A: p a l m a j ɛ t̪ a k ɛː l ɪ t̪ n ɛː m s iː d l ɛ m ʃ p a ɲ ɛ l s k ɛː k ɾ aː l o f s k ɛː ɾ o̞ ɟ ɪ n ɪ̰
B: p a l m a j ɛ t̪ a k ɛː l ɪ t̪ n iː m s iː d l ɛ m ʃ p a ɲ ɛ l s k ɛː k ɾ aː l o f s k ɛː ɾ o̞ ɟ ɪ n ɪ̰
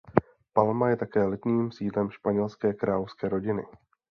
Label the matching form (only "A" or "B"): B